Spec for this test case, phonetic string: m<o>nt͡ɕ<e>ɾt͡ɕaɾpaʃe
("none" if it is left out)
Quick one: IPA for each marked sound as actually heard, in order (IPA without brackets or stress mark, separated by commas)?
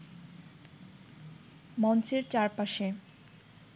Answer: ɔ, e